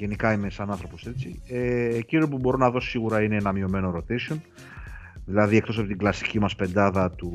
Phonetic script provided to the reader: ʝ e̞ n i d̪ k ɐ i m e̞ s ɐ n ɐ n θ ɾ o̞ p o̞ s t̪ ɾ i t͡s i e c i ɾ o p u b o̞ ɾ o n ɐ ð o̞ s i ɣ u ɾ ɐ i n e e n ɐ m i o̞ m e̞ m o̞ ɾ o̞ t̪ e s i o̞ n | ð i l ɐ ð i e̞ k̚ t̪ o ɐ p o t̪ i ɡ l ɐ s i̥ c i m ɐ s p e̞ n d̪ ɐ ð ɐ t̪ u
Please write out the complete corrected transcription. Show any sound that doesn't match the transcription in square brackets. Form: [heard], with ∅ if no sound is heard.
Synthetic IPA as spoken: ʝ e̞ n i [∅] k ɐ i m e̞ s ɐ n ɐ n θ ɾ o̞ p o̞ s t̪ ɾ i t͡s i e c i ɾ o p u b o̞ ɾ o n ɐ ð o̞ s i ɣ u ɾ ɐ i n e e n ɐ m i o̞ m e̞ [n] o̞ ɾ o̞ t̪ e s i o̞ n | ð i l ɐ ð i e̞ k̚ t̪ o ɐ p o t̪ i ɡ l ɐ s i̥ c i m ɐ s p e̞ n d̪ ɐ ð ɐ t̪ u